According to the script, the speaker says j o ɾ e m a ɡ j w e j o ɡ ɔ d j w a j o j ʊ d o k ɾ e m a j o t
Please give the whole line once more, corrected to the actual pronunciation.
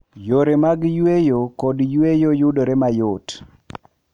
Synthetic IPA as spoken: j o ɾ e m a ɡ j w e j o k ɔ d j w e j o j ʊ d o ɾ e m a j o t